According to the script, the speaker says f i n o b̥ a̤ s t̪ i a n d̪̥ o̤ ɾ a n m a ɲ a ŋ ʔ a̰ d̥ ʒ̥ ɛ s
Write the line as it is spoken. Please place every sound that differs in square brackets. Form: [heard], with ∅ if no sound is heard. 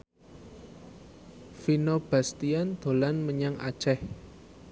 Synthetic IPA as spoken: f i n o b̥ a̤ s t̪ i a n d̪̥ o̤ [l] a n m [ə] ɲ a ŋ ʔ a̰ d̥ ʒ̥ ɛ [h]